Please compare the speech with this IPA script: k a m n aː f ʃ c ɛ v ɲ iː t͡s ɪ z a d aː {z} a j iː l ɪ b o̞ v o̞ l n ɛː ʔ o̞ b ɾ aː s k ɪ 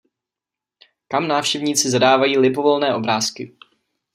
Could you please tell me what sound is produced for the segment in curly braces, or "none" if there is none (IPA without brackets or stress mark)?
v